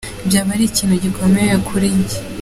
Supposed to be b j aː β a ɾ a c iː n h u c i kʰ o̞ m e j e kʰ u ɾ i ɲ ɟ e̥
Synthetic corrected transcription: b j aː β a ɾ i c iː n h u ɟ i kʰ o̞ m e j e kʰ u ɾ i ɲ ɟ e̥